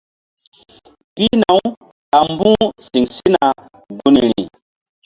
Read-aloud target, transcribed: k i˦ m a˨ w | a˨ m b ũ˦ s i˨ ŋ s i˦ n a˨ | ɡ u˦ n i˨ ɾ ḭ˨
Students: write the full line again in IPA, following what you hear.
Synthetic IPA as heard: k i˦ n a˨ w | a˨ m b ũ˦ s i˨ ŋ s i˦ n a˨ | ɡ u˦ n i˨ ɾ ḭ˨

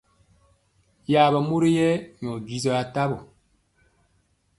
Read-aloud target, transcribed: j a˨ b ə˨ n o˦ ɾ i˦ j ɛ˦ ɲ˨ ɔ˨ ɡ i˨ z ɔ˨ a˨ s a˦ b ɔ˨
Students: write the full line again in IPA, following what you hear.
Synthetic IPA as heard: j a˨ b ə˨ m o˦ ɾ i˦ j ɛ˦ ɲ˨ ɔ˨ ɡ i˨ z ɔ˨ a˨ t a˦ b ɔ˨

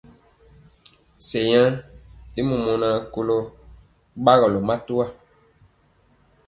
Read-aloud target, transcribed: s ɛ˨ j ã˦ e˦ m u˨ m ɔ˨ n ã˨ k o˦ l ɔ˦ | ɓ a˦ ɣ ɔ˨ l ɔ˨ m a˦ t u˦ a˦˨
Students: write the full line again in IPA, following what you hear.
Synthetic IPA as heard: s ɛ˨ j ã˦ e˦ m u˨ m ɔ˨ n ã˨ k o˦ l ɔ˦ | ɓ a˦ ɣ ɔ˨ l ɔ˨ m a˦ t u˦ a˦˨

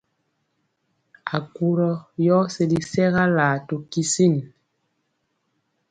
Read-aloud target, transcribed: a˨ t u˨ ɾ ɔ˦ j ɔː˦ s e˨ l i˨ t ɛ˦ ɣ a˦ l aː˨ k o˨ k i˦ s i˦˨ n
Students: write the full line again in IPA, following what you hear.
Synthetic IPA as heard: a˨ k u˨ ɾ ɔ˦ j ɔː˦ s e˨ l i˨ s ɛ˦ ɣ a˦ l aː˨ t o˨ k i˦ s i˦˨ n

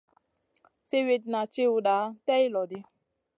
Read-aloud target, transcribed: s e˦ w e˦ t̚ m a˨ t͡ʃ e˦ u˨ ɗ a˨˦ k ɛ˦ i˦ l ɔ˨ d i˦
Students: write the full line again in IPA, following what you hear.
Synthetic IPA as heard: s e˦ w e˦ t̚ n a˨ t͡ʃ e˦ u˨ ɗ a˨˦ t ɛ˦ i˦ l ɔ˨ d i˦

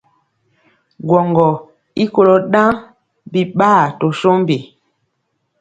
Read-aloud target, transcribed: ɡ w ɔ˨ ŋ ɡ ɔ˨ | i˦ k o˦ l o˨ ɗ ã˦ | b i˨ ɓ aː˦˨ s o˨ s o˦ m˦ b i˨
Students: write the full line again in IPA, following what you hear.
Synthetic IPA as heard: ɡ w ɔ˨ ŋ ɡ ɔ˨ | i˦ k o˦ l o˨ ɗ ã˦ | b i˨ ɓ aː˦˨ t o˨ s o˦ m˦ b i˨

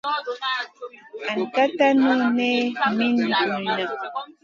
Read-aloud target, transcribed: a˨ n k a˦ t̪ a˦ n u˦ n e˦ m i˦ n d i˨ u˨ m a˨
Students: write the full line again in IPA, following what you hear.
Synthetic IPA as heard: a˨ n k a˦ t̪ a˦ n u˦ n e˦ m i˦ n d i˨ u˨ n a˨

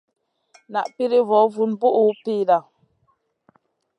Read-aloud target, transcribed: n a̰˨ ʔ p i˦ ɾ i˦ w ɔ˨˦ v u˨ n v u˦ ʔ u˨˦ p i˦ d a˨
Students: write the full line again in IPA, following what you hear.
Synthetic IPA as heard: n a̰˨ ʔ p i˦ ɾ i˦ v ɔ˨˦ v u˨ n b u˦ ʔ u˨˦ p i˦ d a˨

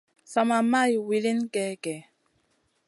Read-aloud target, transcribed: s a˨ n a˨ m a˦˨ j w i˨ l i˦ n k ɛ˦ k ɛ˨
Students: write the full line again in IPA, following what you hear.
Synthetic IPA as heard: s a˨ m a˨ m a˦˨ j w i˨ l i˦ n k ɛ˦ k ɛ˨

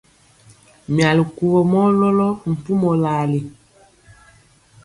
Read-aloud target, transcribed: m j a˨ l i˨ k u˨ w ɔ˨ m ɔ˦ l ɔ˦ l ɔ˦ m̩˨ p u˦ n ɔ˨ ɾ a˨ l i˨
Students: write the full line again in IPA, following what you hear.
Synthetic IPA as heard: m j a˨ l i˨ k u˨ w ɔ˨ m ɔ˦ l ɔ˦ l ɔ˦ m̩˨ p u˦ m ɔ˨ l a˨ l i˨

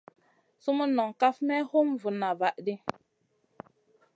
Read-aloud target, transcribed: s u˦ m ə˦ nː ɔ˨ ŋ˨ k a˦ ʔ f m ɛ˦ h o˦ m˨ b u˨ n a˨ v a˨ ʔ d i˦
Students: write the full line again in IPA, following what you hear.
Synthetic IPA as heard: s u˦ m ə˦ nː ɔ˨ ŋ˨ k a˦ f m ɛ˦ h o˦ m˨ v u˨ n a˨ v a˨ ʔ d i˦

